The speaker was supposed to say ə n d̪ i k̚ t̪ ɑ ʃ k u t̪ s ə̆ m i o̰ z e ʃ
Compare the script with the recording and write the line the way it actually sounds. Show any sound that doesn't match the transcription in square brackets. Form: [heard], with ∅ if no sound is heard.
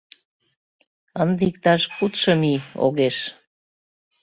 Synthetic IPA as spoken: ə n d̪ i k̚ t̪ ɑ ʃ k u t̪ [ʃ] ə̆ m i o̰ [ɣ] e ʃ